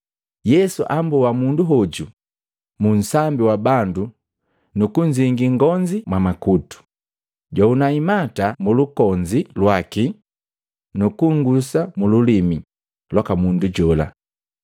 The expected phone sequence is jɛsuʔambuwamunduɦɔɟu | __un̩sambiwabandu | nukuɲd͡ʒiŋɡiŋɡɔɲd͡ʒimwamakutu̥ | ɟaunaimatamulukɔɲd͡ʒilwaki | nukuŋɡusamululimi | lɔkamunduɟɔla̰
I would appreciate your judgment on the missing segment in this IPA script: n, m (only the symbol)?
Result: m